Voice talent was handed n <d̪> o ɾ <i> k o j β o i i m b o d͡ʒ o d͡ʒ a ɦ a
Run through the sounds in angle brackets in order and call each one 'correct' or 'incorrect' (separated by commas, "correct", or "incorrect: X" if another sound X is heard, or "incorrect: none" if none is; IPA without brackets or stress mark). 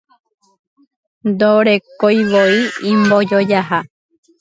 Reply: correct, incorrect: e